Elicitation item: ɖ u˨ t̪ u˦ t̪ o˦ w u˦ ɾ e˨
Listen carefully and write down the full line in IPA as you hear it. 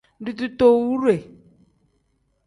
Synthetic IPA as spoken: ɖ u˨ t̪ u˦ t̪ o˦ w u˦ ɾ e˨

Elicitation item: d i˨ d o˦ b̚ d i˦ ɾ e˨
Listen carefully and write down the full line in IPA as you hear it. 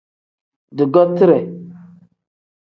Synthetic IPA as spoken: d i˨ ɡ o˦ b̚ t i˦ ɾ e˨

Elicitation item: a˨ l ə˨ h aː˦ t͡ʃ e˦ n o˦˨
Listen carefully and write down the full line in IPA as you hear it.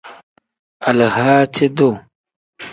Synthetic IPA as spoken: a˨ l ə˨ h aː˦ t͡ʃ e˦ d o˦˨

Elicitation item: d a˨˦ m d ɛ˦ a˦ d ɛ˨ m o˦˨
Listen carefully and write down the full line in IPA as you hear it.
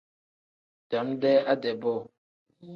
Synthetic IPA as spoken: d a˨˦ m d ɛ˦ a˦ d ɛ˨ b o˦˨

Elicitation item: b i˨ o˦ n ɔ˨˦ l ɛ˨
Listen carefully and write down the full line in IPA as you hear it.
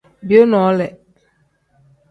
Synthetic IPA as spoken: b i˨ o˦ n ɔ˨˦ l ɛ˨

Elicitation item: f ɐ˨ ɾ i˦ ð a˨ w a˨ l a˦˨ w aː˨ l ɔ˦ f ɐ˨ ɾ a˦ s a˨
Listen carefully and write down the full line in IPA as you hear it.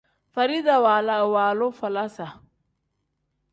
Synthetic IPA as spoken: f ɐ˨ ɾ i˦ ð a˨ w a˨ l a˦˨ w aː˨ l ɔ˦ f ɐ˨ l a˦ s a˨

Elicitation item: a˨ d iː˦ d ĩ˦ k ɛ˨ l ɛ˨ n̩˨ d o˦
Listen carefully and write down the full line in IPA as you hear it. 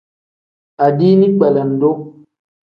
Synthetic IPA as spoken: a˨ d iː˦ n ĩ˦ k͡p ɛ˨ l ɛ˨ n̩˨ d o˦

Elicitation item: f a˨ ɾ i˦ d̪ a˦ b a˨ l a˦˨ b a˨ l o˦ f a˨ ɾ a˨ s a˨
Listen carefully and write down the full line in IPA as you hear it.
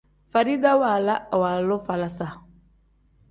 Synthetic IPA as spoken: f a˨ ɾ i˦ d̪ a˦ w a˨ l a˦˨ w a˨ l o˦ f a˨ l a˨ s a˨

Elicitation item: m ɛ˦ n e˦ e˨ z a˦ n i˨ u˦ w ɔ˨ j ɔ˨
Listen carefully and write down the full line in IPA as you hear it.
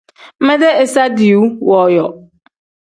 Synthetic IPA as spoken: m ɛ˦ d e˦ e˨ s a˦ d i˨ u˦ w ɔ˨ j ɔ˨

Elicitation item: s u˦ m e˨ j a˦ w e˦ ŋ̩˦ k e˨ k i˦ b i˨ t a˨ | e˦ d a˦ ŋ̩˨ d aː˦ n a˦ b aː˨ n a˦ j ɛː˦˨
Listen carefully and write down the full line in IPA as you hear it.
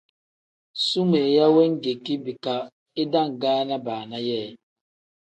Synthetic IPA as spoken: s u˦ m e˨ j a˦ w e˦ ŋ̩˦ ɡ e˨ k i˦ b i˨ k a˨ | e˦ d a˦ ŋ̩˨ ɡ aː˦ n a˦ b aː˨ n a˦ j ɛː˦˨

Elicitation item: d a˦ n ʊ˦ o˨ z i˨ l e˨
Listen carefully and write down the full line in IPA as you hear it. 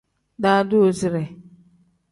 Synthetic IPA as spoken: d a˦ d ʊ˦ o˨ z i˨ ɾ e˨

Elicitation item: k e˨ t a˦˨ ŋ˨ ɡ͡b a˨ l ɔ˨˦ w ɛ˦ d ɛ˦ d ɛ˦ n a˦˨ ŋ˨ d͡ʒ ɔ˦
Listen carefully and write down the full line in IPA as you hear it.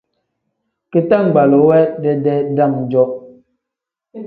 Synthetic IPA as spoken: k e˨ t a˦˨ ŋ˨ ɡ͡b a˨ l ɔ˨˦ w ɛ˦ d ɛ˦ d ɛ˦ d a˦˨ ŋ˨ d͡ʒ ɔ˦

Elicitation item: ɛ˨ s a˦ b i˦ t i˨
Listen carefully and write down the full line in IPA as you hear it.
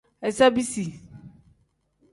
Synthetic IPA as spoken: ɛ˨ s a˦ b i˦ s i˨

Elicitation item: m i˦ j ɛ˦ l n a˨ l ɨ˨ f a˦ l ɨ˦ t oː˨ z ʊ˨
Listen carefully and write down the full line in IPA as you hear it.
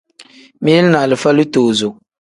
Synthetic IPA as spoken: m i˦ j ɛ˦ l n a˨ l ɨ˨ f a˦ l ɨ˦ t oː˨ z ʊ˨

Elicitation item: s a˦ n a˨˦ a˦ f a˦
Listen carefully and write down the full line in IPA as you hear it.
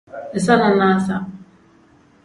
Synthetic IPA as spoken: s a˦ n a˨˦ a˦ s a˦

